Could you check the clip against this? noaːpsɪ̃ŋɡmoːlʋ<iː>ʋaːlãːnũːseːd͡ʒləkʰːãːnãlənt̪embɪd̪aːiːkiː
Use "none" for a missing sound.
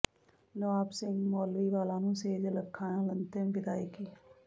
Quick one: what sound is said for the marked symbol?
iː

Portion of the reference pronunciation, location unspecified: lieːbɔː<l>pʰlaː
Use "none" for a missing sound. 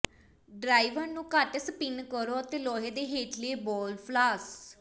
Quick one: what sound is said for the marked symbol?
l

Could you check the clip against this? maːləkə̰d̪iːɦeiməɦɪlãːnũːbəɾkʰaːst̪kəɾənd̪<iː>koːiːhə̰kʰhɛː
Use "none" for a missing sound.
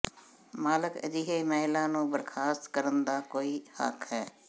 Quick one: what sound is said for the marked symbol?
aː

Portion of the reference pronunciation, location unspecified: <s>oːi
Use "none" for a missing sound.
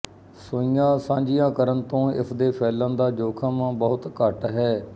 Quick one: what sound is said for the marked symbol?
s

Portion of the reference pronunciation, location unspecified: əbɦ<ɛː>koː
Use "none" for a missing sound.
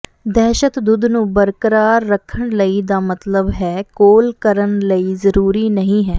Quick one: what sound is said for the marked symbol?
ɛː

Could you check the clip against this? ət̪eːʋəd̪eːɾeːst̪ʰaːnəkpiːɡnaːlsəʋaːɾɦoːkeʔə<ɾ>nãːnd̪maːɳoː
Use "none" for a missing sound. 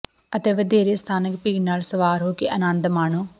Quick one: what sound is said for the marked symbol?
none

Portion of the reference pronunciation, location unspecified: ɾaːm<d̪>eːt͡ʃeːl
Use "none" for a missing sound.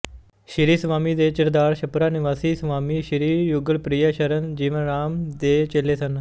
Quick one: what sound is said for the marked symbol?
d̪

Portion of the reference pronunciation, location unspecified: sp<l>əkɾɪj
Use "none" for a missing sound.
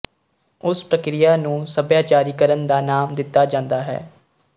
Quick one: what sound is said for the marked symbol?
ɾ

